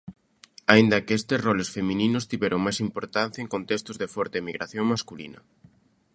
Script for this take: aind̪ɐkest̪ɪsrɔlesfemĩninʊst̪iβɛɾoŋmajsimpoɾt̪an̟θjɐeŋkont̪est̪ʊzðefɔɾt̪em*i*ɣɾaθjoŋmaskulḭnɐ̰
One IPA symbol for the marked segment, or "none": i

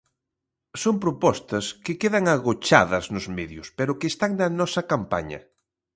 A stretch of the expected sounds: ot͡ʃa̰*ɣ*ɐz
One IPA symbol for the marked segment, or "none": ð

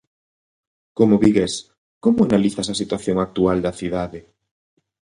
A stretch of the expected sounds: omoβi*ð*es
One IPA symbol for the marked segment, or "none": ɣ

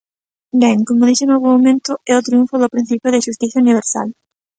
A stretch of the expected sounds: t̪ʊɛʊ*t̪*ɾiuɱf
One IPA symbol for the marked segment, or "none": t̪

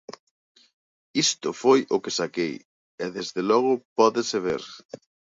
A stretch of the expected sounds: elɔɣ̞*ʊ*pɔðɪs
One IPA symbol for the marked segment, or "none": ʊ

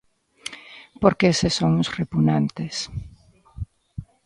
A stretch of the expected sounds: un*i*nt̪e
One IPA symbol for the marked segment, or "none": a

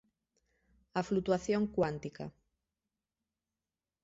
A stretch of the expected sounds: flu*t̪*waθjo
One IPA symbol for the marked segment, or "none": t̪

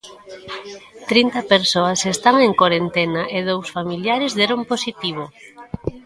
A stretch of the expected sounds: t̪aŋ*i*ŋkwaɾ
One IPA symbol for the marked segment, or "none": e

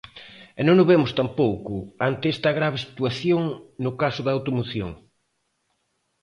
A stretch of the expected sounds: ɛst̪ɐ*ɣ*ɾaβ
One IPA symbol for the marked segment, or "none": ɣ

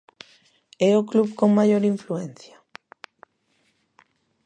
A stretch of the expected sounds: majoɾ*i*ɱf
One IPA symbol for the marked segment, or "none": i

